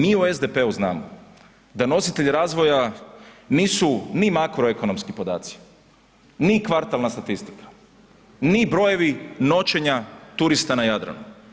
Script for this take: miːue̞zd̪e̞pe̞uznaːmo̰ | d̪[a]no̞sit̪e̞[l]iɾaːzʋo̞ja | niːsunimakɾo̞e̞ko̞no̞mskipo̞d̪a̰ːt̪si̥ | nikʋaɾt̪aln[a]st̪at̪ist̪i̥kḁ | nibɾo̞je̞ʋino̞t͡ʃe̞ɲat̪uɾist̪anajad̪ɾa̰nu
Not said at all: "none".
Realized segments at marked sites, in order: a, ʎ, a

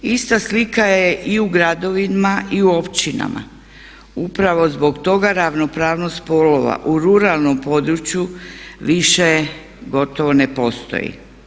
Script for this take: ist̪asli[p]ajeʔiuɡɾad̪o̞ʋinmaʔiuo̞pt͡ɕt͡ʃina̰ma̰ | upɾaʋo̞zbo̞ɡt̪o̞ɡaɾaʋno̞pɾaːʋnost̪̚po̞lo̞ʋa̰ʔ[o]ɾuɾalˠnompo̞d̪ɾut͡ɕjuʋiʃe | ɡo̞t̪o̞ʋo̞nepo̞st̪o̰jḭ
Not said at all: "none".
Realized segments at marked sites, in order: k, u

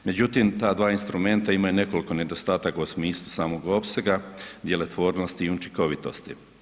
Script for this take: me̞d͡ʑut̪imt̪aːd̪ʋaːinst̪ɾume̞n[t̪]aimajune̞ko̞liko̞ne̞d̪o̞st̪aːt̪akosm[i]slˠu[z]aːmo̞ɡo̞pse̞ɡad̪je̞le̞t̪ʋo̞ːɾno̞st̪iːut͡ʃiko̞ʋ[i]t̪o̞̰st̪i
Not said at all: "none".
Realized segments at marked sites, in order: t̪, iː, s, i

